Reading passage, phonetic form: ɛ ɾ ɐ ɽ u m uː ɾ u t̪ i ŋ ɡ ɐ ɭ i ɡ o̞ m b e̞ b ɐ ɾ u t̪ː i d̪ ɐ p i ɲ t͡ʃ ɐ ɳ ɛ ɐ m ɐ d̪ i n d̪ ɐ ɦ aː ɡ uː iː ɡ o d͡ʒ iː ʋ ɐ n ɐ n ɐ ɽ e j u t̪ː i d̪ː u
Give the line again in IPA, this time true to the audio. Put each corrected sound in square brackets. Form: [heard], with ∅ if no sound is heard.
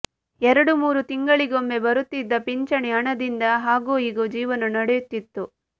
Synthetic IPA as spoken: ɛ ɾ ɐ ɽ u m uː ɾ u t̪ i ŋ ɡ ɐ ɭ i ɡ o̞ m b e̞ b ɐ ɾ u t̪ː i [d̪ː] ɐ p i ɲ t͡ʃ ɐ ɳ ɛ ɐ [ɳ] ɐ d̪ i n d̪ ɐ ɦ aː ɡ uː iː ɡ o d͡ʒ iː ʋ ɐ n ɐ n ɐ ɽ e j u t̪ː i [t̪ː] u